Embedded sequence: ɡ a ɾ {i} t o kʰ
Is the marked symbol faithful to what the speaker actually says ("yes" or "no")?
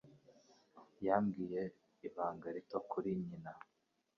yes